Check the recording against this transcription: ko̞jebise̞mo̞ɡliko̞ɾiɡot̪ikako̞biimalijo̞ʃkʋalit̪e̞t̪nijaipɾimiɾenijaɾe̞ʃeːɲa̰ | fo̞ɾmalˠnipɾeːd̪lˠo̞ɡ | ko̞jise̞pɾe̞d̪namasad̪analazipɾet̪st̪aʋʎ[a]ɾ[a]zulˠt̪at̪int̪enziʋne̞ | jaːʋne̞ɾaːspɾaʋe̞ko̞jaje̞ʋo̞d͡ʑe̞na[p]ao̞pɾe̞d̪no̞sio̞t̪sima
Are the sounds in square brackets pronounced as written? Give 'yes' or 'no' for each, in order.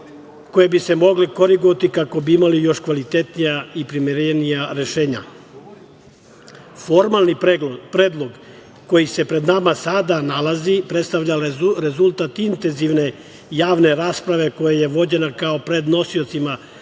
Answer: yes, no, no

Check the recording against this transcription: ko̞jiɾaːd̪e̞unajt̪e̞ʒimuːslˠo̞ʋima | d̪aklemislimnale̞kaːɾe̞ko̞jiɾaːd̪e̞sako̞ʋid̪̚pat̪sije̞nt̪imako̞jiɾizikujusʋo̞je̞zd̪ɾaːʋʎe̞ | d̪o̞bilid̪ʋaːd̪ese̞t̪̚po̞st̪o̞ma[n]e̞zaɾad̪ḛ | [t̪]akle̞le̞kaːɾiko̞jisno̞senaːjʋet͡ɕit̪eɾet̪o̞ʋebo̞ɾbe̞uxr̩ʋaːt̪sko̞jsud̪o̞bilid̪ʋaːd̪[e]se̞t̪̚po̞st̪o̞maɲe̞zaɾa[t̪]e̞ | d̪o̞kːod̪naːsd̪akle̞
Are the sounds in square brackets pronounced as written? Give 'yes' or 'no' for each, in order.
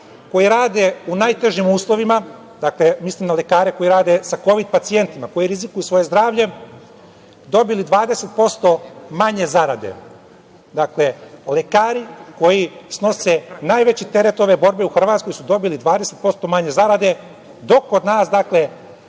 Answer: no, no, yes, no

